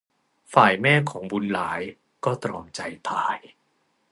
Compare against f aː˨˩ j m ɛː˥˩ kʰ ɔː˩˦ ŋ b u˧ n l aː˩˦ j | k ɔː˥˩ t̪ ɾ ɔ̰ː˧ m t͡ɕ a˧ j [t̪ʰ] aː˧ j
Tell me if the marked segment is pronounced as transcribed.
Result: yes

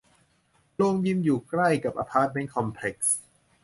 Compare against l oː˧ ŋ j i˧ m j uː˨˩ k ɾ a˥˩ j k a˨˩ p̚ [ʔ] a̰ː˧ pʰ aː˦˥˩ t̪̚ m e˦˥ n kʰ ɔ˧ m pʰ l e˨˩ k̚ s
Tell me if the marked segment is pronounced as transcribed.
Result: yes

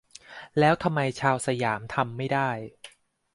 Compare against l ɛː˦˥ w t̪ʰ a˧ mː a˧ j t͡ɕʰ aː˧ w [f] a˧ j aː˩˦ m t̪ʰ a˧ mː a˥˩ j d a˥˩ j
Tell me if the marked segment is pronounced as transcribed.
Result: no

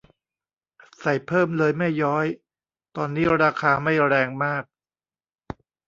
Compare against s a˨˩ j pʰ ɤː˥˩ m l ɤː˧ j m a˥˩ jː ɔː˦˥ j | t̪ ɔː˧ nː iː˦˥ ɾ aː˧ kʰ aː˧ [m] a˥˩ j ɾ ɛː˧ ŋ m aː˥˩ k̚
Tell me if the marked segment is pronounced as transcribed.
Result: yes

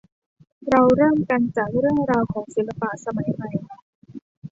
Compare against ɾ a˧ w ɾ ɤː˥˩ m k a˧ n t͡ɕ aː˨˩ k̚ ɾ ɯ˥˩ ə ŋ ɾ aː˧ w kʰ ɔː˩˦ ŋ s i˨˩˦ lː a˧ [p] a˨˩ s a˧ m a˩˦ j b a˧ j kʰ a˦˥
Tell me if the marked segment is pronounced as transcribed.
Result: yes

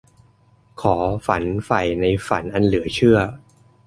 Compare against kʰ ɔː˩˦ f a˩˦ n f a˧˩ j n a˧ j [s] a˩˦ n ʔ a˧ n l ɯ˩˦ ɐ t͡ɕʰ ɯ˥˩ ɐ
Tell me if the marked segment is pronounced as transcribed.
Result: no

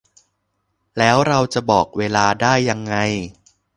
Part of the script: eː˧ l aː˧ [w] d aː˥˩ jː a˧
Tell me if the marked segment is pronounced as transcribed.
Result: no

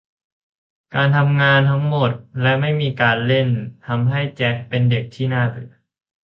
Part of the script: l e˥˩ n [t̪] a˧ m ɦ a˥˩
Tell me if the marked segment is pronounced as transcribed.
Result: no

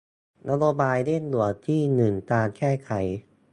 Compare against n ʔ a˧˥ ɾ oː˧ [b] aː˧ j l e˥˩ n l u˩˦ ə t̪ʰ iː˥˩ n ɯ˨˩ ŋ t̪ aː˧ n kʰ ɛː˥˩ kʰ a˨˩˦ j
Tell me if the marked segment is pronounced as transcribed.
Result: yes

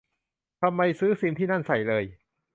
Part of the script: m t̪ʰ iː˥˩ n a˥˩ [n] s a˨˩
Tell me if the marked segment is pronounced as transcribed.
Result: yes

